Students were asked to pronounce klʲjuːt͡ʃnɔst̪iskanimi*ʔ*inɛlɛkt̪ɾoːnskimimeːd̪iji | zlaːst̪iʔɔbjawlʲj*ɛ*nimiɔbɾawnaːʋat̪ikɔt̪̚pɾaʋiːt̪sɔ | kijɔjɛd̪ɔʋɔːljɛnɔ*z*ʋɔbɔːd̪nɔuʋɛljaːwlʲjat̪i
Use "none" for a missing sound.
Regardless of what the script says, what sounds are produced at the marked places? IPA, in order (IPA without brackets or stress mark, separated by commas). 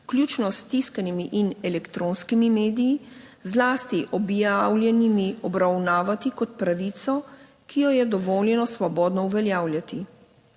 ʔ, ɛ, s